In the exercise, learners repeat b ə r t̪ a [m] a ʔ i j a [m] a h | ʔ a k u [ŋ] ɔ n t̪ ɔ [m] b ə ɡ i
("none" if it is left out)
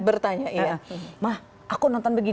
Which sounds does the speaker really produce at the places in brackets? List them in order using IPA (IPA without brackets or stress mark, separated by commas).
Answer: ɲ, m, n, n